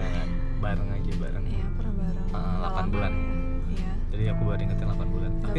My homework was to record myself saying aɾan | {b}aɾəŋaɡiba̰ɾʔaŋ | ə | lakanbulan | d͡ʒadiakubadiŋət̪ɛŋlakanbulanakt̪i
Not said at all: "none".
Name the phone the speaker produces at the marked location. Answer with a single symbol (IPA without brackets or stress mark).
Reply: b